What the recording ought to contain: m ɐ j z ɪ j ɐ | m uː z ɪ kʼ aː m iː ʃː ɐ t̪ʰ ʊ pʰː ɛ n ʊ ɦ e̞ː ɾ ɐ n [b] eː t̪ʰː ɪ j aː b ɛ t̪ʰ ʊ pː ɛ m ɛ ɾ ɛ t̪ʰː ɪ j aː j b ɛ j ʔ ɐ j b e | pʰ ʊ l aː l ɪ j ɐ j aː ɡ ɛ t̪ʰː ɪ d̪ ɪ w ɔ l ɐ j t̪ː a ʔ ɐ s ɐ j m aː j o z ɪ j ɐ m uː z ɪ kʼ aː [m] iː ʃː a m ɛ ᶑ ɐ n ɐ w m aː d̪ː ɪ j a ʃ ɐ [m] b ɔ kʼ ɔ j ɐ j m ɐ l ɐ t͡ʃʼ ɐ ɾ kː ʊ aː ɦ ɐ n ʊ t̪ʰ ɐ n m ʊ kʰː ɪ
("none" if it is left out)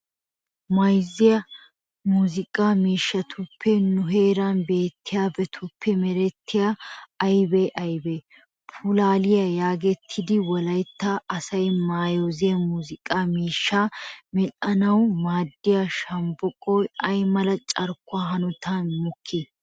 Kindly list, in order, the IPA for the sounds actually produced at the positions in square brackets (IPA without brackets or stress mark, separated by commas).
b, m, m